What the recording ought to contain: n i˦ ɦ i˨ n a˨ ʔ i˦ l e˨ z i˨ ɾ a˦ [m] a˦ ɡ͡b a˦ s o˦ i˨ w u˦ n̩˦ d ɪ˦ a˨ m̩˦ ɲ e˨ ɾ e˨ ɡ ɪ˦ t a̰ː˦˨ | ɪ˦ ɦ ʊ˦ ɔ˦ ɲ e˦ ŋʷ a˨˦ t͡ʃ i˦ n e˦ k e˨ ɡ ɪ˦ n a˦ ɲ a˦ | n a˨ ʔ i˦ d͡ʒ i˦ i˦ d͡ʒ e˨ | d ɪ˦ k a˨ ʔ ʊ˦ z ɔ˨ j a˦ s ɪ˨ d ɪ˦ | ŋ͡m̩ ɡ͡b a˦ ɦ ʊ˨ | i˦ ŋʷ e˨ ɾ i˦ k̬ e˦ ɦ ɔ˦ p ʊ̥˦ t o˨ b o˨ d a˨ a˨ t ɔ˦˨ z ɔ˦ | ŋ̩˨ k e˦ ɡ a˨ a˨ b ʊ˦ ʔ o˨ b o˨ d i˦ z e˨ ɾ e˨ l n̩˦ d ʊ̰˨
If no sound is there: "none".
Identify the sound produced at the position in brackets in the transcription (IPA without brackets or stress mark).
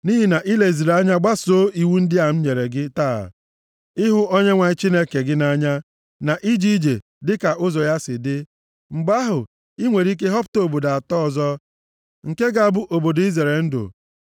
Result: ɲ